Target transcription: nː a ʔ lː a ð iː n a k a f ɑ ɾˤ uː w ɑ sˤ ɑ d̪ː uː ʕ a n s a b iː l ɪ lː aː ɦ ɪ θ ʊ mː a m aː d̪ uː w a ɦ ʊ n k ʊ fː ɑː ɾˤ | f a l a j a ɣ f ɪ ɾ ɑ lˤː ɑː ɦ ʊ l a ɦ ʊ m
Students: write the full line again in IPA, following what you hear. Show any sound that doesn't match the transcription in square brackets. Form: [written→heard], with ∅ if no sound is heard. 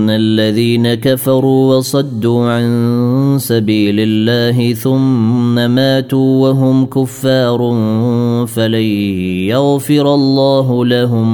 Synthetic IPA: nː a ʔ lː a ð iː n a k a f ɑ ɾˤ uː w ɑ sˤ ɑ d̪ː uː ʕ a n s a b iː l ɪ lː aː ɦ ɪ θ ʊ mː a m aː [d̪→t̪] uː w a ɦ ʊ [n→m] k ʊ fː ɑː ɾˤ | f a l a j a ɣ f ɪ ɾ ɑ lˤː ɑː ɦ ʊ l a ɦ ʊ m